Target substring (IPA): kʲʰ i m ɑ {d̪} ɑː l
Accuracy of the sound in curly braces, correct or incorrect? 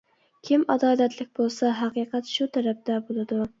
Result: correct